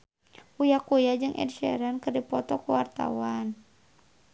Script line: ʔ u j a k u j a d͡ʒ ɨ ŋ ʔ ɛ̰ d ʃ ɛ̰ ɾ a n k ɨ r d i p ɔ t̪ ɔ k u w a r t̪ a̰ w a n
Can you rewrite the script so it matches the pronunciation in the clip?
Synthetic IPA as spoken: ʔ u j a k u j a d͡ʒ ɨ ŋ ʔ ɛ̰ d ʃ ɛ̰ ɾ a n k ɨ r d i p ɔ t̪ ɔ k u w a r t̪ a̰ w a n